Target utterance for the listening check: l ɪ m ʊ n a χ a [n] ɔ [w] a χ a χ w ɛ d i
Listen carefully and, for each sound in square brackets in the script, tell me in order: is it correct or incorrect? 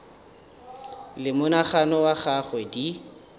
correct, correct

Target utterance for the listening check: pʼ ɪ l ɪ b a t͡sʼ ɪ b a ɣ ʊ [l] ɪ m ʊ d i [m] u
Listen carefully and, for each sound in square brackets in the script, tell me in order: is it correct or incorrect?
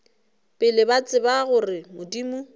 incorrect: r, correct

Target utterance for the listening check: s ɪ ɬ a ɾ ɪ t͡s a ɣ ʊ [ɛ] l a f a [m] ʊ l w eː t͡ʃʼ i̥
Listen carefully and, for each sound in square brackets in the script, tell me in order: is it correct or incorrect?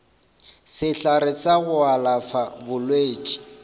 incorrect: a, incorrect: b

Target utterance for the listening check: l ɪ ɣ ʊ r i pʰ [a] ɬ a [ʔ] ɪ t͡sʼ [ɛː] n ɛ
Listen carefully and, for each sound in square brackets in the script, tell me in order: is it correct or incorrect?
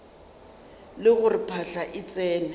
correct, correct, correct

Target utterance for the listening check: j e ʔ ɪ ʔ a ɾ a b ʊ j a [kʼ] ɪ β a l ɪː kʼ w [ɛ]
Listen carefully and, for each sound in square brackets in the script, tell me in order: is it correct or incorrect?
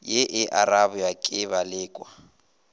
correct, incorrect: a

